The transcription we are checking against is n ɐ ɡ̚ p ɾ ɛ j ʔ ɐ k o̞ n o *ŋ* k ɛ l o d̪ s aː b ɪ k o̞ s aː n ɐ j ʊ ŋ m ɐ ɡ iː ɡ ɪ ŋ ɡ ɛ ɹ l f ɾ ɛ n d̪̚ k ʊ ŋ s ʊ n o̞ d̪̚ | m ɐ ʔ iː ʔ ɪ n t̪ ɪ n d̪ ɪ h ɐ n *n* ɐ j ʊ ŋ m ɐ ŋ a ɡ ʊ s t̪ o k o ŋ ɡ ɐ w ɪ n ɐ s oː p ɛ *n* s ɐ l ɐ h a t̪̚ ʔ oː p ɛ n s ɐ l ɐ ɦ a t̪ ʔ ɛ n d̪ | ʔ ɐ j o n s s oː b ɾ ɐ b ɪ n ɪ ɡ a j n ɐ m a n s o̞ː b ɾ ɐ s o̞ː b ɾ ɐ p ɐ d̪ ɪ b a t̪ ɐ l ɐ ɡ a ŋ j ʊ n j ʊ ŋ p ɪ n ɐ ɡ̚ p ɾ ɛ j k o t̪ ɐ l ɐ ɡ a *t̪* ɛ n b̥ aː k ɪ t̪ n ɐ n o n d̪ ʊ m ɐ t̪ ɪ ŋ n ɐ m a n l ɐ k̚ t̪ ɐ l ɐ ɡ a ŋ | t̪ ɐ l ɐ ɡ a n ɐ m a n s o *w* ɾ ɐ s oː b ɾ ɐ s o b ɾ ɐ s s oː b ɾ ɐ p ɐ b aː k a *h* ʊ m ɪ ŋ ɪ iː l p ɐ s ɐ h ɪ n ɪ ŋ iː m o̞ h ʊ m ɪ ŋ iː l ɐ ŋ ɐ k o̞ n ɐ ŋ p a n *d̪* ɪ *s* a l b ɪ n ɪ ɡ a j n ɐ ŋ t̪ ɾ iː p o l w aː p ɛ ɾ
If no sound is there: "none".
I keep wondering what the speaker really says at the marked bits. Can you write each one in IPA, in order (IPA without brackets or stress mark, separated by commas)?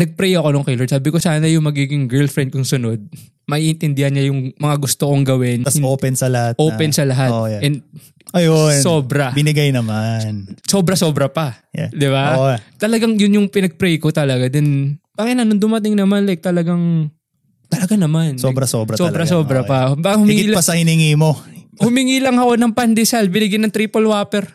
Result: ŋ, ɲ, n, d̪, b, h, d̪, s